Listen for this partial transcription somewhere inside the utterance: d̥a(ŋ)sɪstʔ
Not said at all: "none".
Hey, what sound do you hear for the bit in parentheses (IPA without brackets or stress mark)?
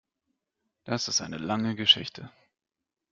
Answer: none